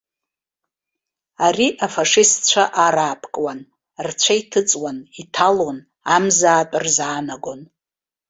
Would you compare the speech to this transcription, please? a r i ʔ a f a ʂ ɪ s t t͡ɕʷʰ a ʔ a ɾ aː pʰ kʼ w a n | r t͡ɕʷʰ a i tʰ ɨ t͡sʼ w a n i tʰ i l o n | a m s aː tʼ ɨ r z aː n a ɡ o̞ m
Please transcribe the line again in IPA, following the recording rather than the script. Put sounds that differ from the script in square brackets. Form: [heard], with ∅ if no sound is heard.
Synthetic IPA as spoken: a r i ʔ a f a ʂ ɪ s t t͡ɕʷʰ a ʔ a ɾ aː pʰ kʼ w a n | r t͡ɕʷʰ a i tʰ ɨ t͡sʼ w a n i tʰ [a] l o n | a m [z] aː tʼ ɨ r z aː n a ɡ o̞ [n]